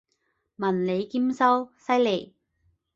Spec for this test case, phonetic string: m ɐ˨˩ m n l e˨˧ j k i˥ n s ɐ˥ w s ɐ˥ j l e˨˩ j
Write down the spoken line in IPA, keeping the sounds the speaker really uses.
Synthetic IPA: m ɐ˨˩ n l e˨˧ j k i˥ m s ɐ˥ w s ɐ˥ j l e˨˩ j